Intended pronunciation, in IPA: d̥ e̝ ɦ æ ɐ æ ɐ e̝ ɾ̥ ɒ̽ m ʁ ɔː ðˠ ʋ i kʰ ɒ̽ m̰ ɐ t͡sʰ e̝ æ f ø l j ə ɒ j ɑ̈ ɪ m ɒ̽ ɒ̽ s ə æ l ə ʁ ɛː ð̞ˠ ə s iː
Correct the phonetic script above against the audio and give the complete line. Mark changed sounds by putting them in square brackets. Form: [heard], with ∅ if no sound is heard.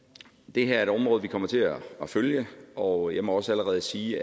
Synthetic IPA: d̥ e̝ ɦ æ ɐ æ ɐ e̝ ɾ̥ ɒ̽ m ʁ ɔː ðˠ ʋ i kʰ ɒ̽ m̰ ɐ t͡sʰ e̝ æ f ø l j ə ɒ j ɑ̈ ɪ m ɒ̽ ɒ̽ s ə æ l ə ʁ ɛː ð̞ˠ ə s iː